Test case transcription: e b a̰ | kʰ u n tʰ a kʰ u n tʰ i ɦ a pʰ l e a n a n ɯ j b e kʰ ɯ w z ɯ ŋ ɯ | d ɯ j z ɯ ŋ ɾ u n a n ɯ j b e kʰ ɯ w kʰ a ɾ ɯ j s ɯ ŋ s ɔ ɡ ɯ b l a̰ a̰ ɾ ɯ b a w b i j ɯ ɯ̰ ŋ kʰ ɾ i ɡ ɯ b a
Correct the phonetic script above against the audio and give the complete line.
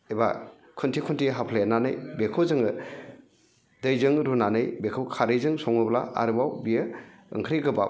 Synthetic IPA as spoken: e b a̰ | kʰ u n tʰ i kʰ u n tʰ i ɦ a pʰ l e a n a n ɯ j b e kʰ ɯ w z ɯ ŋ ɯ | d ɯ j z ɯ ŋ ɾ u n a n ɯ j b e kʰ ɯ w kʰ a ɾ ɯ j z ɯ ŋ s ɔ ŋ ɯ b l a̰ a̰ ɾ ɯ b a w b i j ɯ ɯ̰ ŋ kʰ ɾ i ɡ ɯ b a

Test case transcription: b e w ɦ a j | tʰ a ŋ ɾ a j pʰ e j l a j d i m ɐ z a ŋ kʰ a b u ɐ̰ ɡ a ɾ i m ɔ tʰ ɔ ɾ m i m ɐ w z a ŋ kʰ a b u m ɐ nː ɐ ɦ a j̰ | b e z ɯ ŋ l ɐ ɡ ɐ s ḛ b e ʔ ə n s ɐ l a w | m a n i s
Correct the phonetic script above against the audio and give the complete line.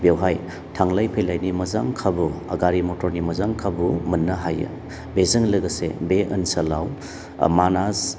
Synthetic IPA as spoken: b e w ɦ a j | tʰ a ŋ l a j pʰ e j l a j n i m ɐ z a ŋ kʰ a b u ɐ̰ ɡ a ɾ i m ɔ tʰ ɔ ɾ n i m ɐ z a ŋ kʰ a b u m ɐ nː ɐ ɦ a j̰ | b e z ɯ ŋ l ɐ ɡ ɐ s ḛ b e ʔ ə n s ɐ l a w | m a n a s

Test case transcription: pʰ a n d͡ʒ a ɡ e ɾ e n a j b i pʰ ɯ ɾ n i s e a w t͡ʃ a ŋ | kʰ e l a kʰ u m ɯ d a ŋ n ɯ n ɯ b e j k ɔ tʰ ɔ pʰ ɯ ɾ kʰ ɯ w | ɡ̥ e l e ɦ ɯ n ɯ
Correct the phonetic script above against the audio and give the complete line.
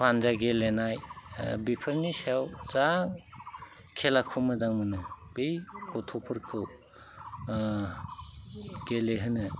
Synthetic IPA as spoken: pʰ a n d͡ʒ a ɡ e l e n a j b i pʰ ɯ ɾ n i s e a w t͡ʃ a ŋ | kʰ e l a kʰ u m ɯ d a ŋ m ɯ n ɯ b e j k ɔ tʰ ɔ pʰ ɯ ɾ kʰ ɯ w | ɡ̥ e l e ɦ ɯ n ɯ

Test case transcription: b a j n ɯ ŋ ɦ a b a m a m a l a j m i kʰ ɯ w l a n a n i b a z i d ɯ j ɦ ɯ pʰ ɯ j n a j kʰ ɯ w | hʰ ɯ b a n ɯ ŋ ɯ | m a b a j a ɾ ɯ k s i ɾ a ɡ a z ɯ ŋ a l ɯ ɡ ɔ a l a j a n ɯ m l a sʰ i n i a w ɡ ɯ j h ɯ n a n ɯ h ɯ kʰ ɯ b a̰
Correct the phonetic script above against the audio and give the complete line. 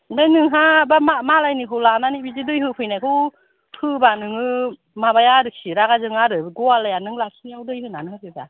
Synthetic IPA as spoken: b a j n ɯ ŋ ɦ a b a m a m a l a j n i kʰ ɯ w l a n a n i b i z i d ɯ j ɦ ɯ pʰ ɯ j n a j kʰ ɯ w | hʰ ɯ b a n ɯ ŋ ɯ | m a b a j a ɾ ɯ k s i ɾ a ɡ a z ɯ ŋ a ɾ ɯ ɡ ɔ a l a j a n ɯ ŋ l a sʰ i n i a w d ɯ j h ɯ n a n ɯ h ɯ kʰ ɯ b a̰

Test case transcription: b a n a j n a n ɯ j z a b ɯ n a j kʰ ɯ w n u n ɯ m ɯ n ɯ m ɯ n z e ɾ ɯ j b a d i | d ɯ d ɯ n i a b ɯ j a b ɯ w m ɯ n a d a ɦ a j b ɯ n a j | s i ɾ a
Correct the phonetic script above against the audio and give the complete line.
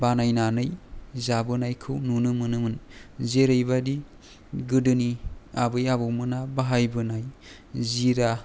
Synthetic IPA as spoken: b a n a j n a n ɯ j z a b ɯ n a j kʰ ɯ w n u n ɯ m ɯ n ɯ m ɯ n z e ɾ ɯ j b a d i | ɡ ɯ d ɯ n i a b ɯ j a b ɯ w m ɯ n a b a ɦ a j b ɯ n a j | z i ɾ a

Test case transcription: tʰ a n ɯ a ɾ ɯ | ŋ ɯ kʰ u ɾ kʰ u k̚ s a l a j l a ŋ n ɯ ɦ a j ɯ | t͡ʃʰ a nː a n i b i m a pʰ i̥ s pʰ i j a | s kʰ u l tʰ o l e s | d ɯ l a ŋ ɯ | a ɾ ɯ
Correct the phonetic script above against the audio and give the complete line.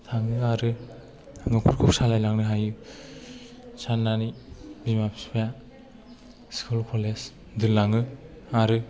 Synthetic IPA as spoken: tʰ a ŋ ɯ a ɾ ɯ | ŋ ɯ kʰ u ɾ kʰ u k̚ s a l a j l a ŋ n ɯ ɦ a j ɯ | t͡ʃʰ a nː a n i b i m a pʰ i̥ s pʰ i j a | s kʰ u l kʰ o l e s | d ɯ l a ŋ ɯ | a ɾ ɯ

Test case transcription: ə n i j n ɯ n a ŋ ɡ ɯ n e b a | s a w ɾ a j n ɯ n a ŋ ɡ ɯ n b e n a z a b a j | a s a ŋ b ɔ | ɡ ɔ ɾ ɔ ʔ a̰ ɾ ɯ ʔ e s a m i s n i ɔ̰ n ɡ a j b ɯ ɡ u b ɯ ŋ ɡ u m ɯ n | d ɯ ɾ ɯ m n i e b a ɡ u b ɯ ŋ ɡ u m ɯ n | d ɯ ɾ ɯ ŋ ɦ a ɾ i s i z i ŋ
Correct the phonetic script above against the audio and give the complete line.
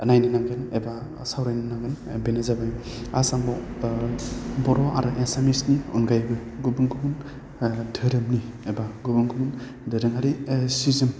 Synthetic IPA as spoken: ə n a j n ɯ n a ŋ ɡ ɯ n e b a | s a w ɾ a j n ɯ n a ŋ ɡ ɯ n b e n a z a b a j | a s a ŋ b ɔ | b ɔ ɾ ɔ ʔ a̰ ɾ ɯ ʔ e s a m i s n i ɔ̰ n ɡ a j b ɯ ɡ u b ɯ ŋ ɡ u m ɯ n | d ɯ ɾ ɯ m n i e b a ɡ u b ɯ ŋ ɡ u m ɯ n | d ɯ ɾ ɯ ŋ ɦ a ɾ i s i z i m

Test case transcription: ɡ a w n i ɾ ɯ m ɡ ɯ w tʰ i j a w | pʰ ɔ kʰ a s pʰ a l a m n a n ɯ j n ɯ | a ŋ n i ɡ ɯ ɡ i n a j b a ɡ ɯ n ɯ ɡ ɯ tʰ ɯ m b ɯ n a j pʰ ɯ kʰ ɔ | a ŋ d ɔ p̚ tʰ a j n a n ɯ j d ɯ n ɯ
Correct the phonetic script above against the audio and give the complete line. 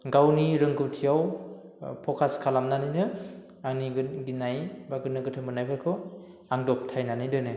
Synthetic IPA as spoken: ɡ a w n i ɾ ɯ ŋ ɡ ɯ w tʰ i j a w | pʰ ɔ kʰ a s kʰ a l a m n a n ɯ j n ɯ | a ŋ n i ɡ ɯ ɡ i n a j b a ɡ ɯ n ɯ ɡ ɯ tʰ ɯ m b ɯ n a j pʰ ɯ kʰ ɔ | a ŋ d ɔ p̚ tʰ a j n a n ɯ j d ɯ n ɯ

